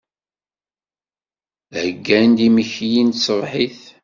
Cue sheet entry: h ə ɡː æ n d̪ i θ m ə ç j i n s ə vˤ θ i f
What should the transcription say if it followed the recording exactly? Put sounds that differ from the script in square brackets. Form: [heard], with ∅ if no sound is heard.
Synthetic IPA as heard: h ə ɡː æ n d̪ i [∅] m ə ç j i n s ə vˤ [ħ] i [θ]